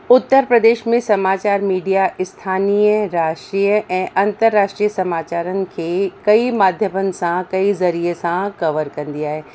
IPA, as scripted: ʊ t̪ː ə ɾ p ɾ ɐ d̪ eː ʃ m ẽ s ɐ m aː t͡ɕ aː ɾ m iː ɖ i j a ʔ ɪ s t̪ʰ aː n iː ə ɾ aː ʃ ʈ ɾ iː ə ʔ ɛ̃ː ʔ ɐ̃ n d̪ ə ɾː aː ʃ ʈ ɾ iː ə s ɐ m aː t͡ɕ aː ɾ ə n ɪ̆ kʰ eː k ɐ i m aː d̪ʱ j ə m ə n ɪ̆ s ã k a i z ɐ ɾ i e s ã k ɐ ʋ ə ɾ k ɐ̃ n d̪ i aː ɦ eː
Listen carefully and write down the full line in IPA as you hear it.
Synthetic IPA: ʊ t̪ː ə ɾ p ɾ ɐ d̪ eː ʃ m ẽ s ɐ m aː t͡ɕ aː ɾ m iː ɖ i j a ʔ ɪ s t̪ʰ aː n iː ə ɾ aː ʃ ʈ ɾ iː ə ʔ ɛ̃ː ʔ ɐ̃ n t̪ ə ɾː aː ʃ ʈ ɾ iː ə s ɐ m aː t͡ɕ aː ɾ ə n ɪ̆ kʰ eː k ɐ i m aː d̪ʱ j ə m ə n ɪ̆ s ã k ɐ i z ɐ ɾ i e s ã k ɐ ʋ ə ɾ k ɐ̃ n d̪ i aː ɦ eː